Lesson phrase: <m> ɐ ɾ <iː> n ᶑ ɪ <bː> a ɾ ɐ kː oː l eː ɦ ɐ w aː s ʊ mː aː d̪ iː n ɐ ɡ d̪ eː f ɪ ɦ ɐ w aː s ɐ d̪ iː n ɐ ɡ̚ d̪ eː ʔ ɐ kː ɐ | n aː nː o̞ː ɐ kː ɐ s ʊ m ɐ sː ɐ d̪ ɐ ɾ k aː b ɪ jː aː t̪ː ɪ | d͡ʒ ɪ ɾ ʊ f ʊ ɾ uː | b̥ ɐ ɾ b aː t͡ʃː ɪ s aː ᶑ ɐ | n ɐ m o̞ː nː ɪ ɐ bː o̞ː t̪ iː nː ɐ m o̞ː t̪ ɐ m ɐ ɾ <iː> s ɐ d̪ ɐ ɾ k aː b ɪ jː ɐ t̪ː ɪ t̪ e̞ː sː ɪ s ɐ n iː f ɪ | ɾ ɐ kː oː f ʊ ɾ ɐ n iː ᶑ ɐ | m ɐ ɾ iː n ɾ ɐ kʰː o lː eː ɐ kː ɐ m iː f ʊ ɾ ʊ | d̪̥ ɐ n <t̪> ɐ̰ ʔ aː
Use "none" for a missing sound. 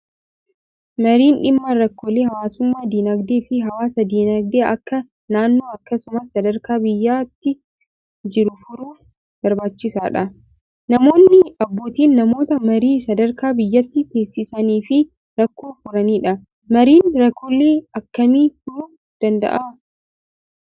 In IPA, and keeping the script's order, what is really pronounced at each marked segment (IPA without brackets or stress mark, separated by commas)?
m, iː, mː, iː, d̪